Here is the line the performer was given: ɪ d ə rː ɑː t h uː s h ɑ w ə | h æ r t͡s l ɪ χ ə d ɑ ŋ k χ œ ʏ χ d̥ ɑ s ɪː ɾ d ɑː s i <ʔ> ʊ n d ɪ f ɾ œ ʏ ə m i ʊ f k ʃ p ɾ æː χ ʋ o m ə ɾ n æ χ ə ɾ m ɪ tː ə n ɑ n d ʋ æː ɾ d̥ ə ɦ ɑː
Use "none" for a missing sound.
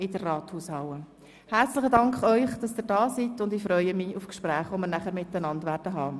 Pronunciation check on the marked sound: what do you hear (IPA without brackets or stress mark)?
t